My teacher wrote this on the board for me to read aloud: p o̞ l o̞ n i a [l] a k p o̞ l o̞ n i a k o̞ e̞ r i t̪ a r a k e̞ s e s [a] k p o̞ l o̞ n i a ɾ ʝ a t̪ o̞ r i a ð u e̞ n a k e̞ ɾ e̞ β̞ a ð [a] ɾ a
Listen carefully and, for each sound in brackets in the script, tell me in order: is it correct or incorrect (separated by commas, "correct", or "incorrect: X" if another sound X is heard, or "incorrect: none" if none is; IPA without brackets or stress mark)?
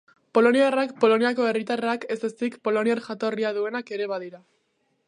incorrect: r, incorrect: i, incorrect: i